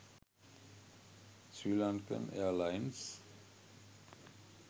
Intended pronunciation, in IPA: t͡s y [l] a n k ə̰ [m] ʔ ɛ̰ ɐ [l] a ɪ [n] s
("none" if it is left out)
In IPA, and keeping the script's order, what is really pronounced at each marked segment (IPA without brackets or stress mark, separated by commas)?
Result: l, n, l, n